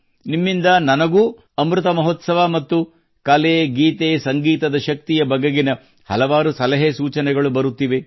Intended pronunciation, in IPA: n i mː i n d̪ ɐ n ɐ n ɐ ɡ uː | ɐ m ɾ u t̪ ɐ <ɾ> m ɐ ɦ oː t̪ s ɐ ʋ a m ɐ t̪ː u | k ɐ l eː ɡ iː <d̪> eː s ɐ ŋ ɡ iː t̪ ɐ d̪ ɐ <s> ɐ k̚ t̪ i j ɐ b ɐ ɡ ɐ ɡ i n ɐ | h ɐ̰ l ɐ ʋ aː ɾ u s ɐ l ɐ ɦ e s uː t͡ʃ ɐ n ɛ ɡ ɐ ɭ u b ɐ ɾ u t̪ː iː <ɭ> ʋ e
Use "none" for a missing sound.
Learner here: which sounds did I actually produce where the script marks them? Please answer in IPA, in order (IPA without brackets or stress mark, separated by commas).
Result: none, t̪, ʃ, none